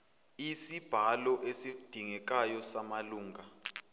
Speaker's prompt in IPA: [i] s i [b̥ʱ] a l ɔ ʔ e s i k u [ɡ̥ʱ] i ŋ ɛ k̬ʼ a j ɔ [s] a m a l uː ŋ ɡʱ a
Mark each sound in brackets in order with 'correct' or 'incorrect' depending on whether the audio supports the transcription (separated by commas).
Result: correct, correct, incorrect, correct